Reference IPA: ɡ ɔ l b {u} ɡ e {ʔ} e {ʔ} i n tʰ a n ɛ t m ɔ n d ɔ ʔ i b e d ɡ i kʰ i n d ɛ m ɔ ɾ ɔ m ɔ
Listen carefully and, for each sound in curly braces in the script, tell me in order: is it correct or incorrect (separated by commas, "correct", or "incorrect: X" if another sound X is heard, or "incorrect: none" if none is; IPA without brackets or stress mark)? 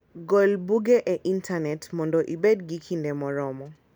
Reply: correct, correct, correct